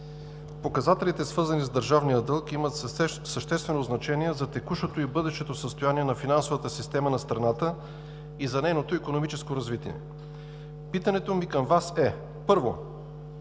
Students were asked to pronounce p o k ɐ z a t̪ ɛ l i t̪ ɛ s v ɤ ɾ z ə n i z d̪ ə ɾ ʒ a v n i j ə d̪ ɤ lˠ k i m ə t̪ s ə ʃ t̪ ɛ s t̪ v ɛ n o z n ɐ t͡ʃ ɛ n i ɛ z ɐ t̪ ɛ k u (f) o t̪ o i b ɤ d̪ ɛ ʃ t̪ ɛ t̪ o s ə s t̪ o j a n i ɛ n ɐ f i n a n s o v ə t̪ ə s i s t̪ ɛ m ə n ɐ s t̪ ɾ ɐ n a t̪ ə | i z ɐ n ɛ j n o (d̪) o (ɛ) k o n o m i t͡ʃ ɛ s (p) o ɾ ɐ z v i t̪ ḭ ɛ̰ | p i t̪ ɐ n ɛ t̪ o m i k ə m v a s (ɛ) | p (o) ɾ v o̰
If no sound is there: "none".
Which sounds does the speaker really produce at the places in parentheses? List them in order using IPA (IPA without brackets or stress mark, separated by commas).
ʃ, t̪, i, k, ɛ, ɤ